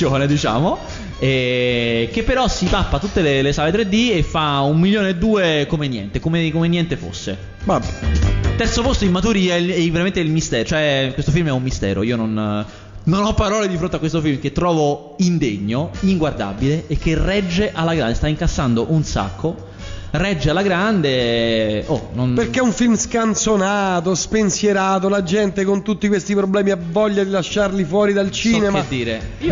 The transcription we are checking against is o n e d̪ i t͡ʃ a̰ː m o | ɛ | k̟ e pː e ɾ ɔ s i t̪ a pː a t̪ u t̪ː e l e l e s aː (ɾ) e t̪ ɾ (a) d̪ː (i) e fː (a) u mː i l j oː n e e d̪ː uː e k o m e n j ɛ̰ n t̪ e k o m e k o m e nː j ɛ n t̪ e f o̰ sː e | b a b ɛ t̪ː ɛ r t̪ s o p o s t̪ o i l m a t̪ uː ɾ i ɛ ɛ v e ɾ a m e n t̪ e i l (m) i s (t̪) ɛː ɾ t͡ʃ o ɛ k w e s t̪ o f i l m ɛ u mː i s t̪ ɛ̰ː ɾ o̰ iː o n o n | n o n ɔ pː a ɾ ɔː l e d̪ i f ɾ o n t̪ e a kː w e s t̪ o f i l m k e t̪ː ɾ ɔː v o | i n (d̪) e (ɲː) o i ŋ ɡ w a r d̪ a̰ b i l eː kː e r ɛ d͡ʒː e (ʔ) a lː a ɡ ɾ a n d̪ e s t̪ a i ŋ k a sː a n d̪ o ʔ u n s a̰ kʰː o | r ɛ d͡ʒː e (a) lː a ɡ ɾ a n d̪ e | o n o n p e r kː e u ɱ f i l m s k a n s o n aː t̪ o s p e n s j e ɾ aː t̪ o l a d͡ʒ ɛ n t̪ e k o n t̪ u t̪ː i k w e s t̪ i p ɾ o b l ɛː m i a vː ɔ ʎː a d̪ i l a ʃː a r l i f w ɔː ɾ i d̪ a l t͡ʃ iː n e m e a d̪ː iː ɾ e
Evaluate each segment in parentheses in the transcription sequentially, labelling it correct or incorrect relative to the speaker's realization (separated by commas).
incorrect, incorrect, correct, correct, correct, correct, correct, correct, correct, correct